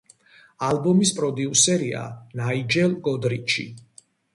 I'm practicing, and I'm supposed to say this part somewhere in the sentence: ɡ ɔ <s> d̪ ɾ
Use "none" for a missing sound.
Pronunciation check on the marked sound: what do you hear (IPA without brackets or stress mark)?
none